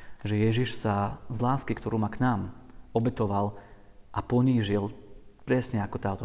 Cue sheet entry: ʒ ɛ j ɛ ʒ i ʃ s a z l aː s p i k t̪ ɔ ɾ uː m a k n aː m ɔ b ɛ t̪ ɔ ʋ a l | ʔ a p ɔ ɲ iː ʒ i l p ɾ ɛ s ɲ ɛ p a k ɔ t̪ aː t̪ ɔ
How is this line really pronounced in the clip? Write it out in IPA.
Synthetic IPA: ʒ ɛ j ɛ ʒ i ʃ s a z l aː s k i k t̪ ɔ ɾ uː m a k n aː m ɔ b ɛ t̪ ɔ ʋ a l | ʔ a p ɔ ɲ iː ʒ i l p ɾ ɛ s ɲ ɛ a k ɔ t̪ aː t̪ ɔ